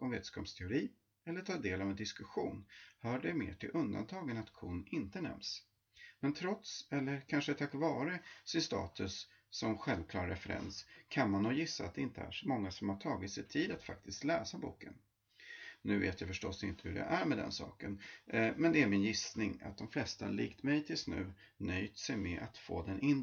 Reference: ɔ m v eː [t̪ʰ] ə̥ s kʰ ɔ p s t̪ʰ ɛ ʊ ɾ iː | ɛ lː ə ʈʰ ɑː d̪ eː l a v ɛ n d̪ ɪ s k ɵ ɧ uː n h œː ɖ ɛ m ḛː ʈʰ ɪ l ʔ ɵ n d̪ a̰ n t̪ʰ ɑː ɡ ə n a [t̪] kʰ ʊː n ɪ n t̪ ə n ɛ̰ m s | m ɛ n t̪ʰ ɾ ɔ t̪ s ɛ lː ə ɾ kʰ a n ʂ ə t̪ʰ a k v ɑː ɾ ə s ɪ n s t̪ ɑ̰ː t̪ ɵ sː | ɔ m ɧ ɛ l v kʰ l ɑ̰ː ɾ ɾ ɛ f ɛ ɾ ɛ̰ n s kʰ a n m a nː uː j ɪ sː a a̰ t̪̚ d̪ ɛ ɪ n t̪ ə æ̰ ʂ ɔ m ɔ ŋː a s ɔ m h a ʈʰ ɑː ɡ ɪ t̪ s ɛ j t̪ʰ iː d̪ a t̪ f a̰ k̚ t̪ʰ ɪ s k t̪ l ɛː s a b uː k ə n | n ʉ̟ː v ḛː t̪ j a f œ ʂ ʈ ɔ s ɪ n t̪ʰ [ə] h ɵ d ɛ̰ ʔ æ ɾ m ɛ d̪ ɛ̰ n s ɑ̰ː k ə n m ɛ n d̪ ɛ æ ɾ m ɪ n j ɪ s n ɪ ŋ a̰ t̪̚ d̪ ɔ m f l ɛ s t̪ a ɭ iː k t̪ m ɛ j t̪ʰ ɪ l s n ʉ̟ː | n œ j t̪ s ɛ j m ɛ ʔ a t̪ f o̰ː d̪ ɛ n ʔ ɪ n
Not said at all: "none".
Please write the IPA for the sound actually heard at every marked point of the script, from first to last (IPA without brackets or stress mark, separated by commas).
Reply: t̪, t̪, ə